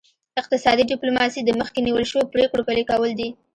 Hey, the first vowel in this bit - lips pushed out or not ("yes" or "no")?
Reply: no